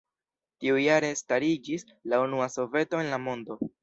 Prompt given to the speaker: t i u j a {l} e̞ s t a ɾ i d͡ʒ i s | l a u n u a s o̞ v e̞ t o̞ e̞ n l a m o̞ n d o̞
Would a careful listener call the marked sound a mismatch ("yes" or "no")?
yes